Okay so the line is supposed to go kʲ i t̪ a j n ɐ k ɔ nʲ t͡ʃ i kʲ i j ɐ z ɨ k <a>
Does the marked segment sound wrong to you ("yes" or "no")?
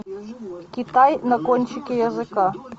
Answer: no